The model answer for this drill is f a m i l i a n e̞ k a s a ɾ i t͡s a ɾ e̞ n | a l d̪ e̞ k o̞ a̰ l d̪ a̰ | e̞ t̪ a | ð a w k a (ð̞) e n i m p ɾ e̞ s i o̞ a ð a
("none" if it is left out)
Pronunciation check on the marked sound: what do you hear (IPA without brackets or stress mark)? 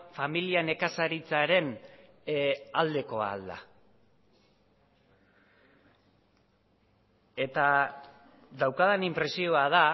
ð̞